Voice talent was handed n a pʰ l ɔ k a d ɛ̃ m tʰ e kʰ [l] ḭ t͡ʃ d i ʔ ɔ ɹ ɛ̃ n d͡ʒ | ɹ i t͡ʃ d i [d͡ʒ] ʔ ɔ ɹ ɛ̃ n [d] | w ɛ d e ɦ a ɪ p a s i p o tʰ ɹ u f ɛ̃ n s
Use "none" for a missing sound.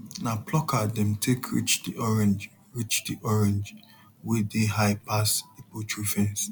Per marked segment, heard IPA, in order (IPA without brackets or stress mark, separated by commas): ɹ, none, d͡ʒ